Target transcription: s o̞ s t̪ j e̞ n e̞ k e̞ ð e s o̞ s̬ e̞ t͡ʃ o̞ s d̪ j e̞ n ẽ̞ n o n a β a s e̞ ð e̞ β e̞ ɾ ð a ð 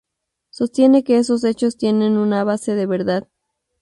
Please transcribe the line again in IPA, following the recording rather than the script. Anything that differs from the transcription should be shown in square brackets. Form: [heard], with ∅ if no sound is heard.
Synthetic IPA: s o̞ s t̪ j e̞ n e̞ k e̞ [∅] e s o̞ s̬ e̞ t͡ʃ o̞ s [t̪] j e̞ n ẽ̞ n [u] n a β a s e̞ ð e̞ β e̞ ɾ ð a ð

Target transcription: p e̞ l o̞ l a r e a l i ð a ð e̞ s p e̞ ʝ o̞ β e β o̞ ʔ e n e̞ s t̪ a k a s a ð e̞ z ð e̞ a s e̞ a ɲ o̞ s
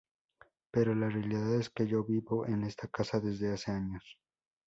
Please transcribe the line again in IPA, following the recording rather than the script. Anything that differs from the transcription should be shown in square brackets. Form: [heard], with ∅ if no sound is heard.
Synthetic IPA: p e̞ [ɾ] o̞ l a r e a l i ð a ð e̞ s [k] e̞ ʝ o̞ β [i] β o̞ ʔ e n e̞ s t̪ a k a s a ð e̞ z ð e̞ a s e̞ a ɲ o̞ s

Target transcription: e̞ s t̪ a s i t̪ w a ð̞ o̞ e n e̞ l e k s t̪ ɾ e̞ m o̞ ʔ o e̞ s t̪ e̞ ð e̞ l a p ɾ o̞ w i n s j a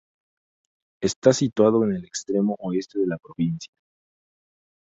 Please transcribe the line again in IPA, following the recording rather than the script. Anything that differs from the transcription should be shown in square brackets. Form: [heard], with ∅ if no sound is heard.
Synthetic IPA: e̞ s t̪ a s i t̪ w a ð̞ o̞ e n e̞ l e k s t̪ ɾ e̞ m o̞ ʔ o e̞ s t̪ e̞ ð e̞ l a p ɾ o̞ [β] i n s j a

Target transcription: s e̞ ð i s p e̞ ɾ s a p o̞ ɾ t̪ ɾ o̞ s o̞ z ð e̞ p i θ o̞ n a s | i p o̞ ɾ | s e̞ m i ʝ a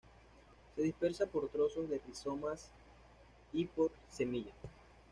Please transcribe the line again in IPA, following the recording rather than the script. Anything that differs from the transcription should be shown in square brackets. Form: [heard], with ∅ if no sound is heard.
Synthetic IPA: s e̞ ð i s p e̞ ɾ s a p o̞ ɾ t̪ ɾ o̞ s o̞ z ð e̞ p i [s] o̞ [m] a s | i p o̞ ɾ | s e̞ m i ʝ a

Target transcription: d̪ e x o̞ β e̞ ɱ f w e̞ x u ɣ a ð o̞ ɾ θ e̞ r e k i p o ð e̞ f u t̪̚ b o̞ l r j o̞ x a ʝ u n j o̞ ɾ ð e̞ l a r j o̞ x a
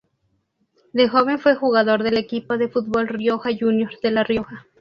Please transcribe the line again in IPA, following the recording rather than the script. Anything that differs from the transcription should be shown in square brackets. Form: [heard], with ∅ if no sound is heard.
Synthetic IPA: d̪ e x o̞ β e̞ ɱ f w e̞ x u ɣ a ð o̞ ɾ [ð] e̞ [l] e k i p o ð e̞ f u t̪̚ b o̞ l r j o̞ x a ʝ u n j o̞ ɾ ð e̞ l a r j o̞ x a

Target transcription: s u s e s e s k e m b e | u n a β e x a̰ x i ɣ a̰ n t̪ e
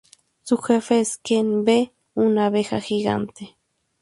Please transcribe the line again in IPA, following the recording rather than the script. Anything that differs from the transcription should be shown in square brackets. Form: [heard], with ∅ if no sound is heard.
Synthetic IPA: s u [x] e [f] e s k e [n] b e | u n a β e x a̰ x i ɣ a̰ n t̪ e

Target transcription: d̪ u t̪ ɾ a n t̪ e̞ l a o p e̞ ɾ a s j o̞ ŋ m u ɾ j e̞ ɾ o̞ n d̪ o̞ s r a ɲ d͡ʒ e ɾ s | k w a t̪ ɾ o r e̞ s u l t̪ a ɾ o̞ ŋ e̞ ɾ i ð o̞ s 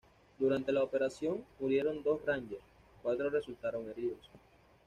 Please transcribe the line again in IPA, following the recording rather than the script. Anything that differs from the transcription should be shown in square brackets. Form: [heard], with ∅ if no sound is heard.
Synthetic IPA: d̪ u [∅] ɾ a n t̪ e̞ l a o p e̞ ɾ a s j o̞ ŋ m u ɾ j e̞ ɾ o̞ n d̪ o̞ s r a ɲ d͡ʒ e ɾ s | k w a t̪ ɾ o r e̞ s u l t̪ a ɾ o̞ ŋ e̞ ɾ i ð o̞ s

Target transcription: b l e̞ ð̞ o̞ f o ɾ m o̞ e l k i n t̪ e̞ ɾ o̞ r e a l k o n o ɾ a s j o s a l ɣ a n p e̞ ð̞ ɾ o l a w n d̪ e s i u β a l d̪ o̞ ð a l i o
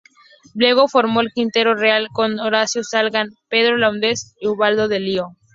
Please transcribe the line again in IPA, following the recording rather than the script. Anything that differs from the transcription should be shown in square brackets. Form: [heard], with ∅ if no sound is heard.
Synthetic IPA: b l e̞ [ɣ̞] o̞ f o ɾ m o̞ e l k i n t̪ e̞ ɾ o̞ r e a l k o n o ɾ a s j o s a l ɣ a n p e̞ ð̞ ɾ o l a w n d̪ e s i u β a l d̪ o̞ ð [e] l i o

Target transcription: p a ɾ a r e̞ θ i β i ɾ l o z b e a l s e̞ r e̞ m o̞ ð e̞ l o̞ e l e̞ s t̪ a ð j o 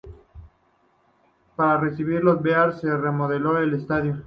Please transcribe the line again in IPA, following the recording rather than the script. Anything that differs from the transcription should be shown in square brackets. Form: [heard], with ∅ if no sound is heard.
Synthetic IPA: p a ɾ a r e̞ [s] i β i ɾ l o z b e a [ɾ] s e̞ r e̞ m o̞ ð e̞ l o̞ e l e̞ s t̪ a ð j o

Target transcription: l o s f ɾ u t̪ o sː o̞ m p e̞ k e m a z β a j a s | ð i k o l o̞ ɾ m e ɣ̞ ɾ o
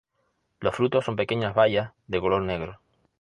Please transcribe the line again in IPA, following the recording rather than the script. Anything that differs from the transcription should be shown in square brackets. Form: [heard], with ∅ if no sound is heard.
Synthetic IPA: l o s f ɾ u t̪ o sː o̞ m p e̞ k e [ɲ] a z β a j a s | ð [e] k o l o̞ ɾ [n] e ɣ̞ ɾ o

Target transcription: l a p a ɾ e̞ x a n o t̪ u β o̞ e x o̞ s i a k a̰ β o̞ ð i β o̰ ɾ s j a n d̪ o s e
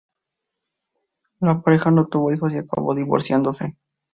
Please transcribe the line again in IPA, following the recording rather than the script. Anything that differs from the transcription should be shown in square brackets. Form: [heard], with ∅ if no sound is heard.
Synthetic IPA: l a p a ɾ e̞ x a n o t̪ u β o̞ [i] x o̞ s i a k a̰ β o̞ ð i β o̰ ɾ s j a n d̪ o s e

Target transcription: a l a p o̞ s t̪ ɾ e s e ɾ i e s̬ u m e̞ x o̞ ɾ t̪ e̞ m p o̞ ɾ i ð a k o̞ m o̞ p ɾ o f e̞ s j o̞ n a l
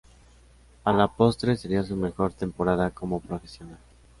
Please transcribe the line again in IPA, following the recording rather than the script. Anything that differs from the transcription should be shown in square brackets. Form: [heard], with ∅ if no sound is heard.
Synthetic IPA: a l a p o̞ s t̪ ɾ e s e ɾ i [a] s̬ u m e̞ x o̞ ɾ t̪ e̞ m p o̞ ɾ [a] ð a k o̞ m o̞ p ɾ o f e̞ s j o̞ n a l

